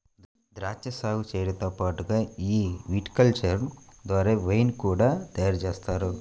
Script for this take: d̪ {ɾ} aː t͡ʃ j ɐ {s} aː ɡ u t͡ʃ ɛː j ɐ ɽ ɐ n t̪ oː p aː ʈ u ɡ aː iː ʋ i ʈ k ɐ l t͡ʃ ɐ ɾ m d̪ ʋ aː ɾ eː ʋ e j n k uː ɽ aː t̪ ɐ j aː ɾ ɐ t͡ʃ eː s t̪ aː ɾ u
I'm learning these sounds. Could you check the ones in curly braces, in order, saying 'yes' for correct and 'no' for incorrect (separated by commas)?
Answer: yes, yes